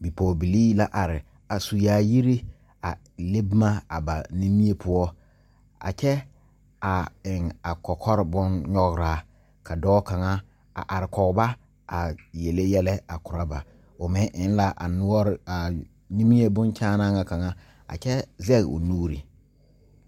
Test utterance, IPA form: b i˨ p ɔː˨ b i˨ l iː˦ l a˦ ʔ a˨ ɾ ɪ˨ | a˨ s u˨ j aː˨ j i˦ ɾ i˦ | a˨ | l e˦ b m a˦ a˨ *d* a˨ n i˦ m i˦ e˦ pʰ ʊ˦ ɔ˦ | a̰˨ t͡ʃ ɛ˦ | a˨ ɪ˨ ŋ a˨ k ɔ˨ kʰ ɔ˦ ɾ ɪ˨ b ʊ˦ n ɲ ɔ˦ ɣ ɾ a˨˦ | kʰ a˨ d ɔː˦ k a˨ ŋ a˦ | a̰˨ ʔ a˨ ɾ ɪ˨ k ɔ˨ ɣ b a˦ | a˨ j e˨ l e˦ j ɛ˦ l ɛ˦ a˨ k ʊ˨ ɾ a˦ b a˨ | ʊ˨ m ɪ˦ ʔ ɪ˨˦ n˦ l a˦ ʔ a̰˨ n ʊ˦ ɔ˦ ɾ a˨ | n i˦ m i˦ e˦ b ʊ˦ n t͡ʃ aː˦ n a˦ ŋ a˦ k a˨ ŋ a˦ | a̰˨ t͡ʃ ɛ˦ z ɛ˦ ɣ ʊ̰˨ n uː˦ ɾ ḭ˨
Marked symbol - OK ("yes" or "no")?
no